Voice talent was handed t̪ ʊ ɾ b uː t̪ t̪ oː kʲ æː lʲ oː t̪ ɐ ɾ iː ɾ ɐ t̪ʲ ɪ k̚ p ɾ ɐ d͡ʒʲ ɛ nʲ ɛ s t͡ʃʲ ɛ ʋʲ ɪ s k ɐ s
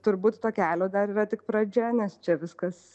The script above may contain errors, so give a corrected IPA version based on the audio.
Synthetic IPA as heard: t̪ ʊ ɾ b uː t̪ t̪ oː kʲ æː lʲ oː d̪ ɐ ɾ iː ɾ ɐ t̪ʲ ɪ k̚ p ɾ ɐ d͡ʒʲ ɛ nʲ ɛ s t͡ʃʲ ɛ ʋʲ ɪ s k ɐ s